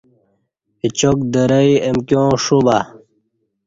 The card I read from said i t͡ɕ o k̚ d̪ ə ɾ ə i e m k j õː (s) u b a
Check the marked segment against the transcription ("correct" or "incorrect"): incorrect